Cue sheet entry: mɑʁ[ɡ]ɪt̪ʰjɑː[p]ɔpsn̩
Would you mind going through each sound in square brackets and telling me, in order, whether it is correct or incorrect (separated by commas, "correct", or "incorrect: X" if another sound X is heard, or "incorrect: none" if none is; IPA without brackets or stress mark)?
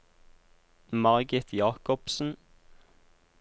correct, incorrect: k